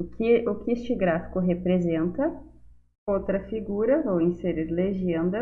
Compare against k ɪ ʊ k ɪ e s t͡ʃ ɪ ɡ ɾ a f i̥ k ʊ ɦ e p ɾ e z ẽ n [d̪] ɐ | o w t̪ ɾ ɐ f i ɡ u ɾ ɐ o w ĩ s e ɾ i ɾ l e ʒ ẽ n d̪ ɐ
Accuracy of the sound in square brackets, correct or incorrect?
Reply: incorrect